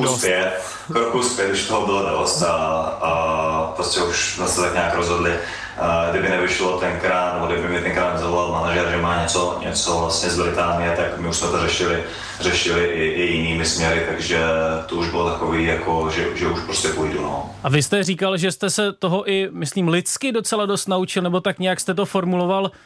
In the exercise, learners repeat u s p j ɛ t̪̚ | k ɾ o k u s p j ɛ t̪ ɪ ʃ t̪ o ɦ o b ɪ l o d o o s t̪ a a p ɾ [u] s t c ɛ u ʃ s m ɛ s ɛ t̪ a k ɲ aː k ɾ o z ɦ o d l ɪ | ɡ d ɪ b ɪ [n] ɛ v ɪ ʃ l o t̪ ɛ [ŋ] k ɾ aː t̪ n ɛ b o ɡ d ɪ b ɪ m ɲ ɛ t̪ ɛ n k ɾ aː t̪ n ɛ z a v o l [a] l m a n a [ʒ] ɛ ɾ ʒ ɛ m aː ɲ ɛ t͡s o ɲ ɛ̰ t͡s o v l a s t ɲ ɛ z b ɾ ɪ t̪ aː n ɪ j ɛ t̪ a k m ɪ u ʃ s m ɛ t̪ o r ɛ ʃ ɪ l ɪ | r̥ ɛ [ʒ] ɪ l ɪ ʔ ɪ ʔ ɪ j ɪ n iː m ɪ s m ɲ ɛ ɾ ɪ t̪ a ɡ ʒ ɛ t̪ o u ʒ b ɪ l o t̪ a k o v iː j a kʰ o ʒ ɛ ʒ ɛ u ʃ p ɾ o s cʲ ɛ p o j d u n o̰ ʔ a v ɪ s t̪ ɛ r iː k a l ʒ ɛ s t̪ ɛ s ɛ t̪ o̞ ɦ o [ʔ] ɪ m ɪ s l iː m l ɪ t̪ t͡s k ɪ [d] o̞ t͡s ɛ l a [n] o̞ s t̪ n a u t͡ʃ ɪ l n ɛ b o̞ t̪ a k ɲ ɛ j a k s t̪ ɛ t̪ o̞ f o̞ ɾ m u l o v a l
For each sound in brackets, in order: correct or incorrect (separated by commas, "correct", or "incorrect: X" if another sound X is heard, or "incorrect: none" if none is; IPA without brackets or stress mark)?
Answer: incorrect: o, correct, incorrect: n, correct, correct, incorrect: ʃ, correct, correct, incorrect: d